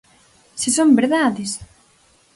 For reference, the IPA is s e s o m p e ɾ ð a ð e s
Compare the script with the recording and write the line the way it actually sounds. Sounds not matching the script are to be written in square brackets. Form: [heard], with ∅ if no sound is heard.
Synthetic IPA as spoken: s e s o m [b] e ɾ ð a ð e s